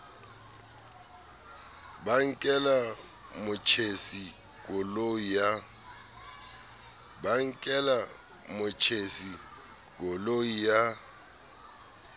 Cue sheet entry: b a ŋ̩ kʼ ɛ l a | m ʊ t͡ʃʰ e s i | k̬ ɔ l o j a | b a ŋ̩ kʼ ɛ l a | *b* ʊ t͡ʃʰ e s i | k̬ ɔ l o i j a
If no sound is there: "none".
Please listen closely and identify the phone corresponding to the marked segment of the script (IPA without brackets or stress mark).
m